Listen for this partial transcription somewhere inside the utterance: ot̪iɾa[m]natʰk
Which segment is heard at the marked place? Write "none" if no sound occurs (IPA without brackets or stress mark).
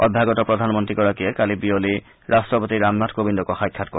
m